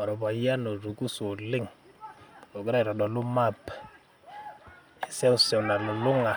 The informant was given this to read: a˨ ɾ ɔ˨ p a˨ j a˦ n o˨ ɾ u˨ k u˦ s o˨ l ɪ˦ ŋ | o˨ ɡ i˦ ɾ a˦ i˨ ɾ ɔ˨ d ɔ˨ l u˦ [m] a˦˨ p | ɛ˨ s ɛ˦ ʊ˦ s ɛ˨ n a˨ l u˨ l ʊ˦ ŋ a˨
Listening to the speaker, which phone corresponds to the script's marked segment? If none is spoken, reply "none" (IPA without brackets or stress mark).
m